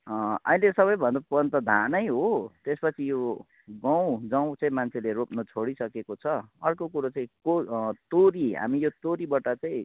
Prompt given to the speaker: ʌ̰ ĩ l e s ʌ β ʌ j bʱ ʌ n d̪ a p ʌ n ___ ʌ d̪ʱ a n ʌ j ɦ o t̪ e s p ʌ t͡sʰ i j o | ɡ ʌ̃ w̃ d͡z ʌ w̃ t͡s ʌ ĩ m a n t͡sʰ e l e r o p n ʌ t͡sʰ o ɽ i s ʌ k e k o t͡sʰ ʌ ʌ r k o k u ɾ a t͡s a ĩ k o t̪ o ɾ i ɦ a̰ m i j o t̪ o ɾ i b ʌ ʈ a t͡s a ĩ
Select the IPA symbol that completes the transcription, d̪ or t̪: t̪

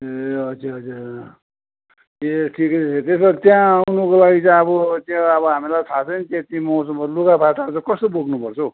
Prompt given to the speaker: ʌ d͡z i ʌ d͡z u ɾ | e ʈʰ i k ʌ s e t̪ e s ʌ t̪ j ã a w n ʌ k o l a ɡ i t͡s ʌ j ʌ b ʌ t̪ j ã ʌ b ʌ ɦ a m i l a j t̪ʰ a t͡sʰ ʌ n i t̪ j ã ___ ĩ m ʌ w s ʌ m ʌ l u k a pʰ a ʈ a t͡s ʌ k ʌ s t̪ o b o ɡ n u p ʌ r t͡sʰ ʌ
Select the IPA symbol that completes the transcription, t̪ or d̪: t̪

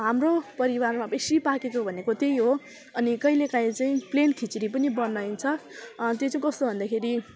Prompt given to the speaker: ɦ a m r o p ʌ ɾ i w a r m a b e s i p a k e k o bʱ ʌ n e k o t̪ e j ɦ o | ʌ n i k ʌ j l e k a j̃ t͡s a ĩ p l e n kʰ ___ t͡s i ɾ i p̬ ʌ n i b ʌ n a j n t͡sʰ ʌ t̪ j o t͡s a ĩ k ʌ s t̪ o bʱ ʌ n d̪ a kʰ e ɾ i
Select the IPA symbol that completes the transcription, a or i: i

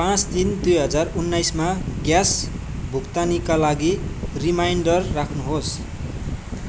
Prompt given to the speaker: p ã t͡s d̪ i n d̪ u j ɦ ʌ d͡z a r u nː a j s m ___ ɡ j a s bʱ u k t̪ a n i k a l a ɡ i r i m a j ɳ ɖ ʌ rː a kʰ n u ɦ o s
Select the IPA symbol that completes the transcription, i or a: a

